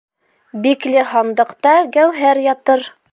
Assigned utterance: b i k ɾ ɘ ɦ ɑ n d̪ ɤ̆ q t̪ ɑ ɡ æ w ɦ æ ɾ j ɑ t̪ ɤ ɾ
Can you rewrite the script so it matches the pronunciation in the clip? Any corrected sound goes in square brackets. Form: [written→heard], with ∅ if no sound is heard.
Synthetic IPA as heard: b i k [ɾ→l] ɘ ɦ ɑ n d̪ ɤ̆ q t̪ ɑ ɡ æ w ɦ æ ɾ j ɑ t̪ ɤ ɾ